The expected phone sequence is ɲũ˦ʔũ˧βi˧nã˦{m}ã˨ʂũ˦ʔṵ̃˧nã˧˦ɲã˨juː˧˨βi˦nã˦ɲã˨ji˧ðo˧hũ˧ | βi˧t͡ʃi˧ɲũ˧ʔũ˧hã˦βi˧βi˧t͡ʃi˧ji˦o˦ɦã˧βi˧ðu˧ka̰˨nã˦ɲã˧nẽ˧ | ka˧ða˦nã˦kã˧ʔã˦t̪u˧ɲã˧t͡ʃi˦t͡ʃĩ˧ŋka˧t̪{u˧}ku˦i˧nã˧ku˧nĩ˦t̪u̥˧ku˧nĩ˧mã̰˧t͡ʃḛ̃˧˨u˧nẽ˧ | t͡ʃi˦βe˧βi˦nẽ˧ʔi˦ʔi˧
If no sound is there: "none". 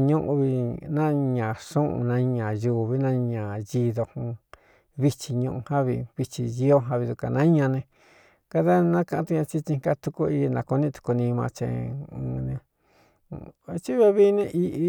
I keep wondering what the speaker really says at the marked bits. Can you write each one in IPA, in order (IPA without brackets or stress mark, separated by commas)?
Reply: ɲ, u˧